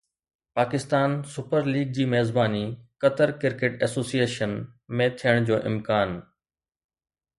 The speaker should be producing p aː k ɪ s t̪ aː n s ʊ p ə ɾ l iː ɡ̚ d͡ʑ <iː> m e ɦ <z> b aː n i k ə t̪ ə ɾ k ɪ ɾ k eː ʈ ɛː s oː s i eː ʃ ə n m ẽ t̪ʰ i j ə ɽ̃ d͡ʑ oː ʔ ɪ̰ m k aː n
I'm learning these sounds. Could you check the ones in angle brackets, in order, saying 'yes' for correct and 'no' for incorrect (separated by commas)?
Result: yes, yes